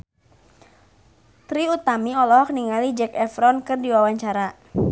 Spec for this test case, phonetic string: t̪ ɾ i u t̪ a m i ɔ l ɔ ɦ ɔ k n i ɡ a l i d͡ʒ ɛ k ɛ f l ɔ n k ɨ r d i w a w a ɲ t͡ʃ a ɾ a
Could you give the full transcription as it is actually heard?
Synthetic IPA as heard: t̪ ɾ i u t̪ a m i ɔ l ɔ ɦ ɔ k n i ŋ a l i d͡ʒ ɛ k ɛ f ɾ ɔ n k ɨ r d i w a w a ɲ t͡ʃ a ɾ a